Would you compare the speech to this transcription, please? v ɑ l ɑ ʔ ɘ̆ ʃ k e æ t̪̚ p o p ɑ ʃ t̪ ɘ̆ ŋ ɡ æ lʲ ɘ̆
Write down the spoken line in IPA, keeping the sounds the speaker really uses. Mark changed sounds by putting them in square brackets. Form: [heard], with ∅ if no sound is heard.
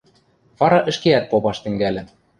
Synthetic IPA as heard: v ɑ [ɾ] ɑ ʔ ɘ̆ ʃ k e æ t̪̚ p o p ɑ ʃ t̪ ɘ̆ ŋ ɡ æ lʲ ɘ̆